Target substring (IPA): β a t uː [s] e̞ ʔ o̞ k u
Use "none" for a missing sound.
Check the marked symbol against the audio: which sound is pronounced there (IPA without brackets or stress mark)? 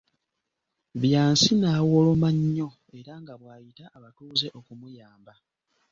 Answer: z